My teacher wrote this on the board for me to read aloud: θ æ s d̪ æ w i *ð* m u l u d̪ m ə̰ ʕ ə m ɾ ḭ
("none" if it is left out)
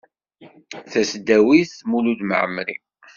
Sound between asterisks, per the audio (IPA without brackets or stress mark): θ